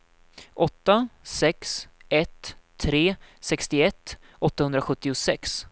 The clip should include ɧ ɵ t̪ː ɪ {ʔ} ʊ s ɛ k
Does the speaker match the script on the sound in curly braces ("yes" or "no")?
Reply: no